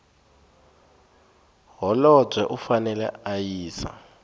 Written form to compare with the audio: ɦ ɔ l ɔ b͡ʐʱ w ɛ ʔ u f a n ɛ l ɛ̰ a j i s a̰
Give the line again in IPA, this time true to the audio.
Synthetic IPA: ɦ ɔ l ɔ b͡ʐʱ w ɛ ʔ u f a n ɛ l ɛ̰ a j iː s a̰